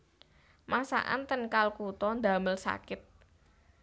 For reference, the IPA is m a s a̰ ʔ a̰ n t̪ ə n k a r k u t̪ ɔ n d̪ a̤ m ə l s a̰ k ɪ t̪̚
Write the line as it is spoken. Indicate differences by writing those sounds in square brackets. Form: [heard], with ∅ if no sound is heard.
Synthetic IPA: m a s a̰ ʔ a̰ n t̪ ə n k a [l] k u t̪ ɔ n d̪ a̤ m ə l s a̰ k ɪ t̪̚